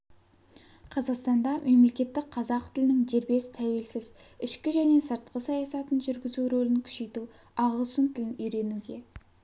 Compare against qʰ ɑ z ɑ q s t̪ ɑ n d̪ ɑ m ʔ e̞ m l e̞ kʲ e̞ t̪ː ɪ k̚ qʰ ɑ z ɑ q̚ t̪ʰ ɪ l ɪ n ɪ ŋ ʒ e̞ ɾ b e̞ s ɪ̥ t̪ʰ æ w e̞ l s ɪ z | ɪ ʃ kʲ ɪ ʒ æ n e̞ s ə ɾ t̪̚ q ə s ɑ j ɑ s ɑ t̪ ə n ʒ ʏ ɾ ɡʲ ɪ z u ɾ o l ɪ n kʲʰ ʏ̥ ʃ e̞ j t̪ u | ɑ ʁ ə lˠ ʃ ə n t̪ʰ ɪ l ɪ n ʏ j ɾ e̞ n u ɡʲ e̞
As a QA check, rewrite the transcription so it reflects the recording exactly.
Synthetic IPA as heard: qʰ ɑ z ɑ q s t̪ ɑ n d̪ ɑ m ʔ e̞ m l e̞ kʲ e̞ t̪ː ɪ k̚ qʰ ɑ z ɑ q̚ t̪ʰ ɪ l ɪ n ɪ ŋ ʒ e̞ ɾ b e̞ s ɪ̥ t̪ʰ æ w e̞ l s ɪ z | ɪ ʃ kʲ ɪ ʒ æ n e̞ s ə ɾ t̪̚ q ə s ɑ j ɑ s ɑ t̪ ə n ʒ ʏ ɾ ɡʲ ɪ z u ɾ o l ɪ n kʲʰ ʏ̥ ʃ e̞ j t̪ u | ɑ ʁ ə lˠ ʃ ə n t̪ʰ ɪ l ɪ n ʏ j ɾ e̞ n u ɡʲ e̞